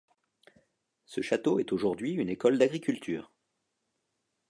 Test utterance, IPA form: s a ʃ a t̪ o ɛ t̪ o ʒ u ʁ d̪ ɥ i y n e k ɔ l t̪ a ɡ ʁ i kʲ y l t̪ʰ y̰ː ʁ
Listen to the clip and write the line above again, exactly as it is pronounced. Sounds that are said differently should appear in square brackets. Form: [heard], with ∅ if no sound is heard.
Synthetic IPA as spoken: s [ə] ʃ a t̪ o ɛ t̪ o ʒ u ʁ d̪ ɥ i y n e k ɔ l [d̪] a ɡ ʁ i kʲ y l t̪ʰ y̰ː ʁ